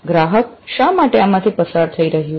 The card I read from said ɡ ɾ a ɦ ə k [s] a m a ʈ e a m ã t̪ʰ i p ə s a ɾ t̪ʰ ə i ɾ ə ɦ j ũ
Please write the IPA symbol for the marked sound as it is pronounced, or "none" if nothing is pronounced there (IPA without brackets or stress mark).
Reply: ʃ